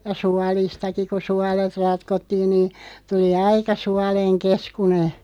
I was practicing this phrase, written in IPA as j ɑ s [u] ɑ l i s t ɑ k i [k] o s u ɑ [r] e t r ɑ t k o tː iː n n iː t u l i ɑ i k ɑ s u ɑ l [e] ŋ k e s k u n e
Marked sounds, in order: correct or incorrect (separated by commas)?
correct, correct, incorrect, correct